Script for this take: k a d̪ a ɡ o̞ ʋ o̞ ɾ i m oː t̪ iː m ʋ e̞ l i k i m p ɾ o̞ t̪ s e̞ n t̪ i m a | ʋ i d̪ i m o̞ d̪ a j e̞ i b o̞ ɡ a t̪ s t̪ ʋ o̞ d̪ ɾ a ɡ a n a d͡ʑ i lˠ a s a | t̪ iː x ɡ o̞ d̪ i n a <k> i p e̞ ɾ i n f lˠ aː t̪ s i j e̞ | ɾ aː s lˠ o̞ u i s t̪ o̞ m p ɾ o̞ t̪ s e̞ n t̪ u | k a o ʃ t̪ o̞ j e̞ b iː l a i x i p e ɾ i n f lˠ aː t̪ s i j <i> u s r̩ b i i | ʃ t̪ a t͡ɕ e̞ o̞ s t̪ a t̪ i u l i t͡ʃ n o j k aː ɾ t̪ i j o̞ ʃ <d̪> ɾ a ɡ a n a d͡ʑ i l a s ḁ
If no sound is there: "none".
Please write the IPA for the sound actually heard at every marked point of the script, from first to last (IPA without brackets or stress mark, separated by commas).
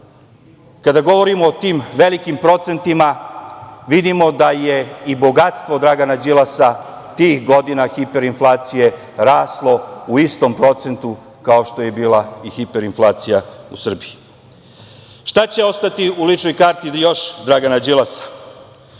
x, a, d̪